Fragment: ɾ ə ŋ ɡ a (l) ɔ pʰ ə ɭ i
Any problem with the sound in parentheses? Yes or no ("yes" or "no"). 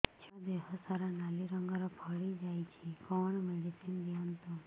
yes